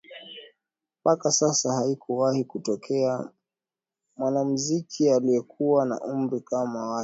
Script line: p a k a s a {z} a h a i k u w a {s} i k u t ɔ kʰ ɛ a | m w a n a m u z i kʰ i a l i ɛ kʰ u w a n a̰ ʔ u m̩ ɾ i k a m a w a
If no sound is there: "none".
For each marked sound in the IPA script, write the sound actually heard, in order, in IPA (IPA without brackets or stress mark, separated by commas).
s, h